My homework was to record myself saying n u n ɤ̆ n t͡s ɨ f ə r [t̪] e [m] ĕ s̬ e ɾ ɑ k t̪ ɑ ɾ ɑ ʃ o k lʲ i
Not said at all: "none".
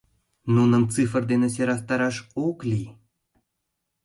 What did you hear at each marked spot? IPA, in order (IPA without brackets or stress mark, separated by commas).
d̪, n